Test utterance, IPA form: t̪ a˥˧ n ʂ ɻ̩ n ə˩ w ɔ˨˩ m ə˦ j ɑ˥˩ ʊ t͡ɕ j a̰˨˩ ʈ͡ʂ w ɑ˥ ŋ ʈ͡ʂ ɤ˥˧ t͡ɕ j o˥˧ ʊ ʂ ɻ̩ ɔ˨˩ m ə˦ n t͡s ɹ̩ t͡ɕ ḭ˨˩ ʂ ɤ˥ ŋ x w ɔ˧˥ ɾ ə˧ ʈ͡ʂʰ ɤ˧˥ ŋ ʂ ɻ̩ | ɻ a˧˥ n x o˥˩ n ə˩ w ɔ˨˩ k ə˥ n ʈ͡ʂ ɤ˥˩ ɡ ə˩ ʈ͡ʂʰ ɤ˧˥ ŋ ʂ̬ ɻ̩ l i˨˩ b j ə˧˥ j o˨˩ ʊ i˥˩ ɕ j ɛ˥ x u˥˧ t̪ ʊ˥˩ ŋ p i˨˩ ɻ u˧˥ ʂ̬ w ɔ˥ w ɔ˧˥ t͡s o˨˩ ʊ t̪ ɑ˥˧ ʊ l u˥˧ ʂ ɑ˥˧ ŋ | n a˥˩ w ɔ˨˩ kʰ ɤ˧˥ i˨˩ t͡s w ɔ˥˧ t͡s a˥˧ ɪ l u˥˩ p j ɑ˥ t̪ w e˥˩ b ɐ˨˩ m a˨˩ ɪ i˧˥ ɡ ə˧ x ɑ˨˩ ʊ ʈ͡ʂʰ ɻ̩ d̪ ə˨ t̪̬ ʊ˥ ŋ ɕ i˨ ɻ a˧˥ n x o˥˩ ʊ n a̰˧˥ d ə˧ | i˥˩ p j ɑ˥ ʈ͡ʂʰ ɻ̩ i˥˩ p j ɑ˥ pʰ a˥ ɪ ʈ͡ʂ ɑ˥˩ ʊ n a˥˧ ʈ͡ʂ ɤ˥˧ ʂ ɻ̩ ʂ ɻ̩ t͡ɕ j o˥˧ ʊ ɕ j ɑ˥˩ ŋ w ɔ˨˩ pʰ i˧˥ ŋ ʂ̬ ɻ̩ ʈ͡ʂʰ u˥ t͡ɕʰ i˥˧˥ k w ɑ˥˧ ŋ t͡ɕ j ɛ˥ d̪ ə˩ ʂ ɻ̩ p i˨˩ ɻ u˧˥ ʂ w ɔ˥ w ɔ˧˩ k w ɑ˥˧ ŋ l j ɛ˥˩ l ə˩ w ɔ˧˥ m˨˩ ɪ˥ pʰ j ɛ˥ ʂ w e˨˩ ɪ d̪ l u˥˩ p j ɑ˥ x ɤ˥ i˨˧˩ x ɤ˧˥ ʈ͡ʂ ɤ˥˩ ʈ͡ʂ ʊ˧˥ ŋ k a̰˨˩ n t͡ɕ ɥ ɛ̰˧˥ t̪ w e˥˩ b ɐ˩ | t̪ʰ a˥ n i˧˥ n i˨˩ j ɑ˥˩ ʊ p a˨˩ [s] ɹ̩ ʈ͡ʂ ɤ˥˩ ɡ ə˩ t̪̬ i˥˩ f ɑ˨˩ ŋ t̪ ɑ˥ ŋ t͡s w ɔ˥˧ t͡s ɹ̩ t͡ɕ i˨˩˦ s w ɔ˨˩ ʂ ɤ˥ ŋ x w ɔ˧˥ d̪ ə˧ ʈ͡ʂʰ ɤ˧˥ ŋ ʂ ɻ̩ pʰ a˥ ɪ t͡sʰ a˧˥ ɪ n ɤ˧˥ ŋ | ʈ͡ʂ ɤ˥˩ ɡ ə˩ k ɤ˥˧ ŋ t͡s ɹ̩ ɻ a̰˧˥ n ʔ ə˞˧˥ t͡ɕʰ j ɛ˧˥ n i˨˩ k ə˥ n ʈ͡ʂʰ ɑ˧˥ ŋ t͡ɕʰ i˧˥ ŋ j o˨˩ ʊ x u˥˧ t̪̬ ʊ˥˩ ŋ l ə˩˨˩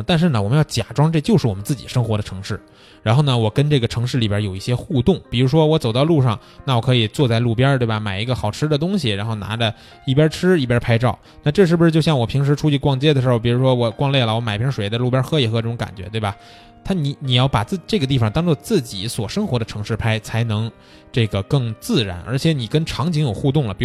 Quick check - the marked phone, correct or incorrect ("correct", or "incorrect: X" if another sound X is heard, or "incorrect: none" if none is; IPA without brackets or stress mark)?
incorrect: t͡s